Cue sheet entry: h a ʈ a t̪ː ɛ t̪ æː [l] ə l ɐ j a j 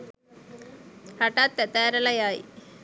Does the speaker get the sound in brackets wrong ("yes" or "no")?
yes